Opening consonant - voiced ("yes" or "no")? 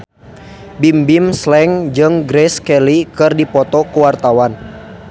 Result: yes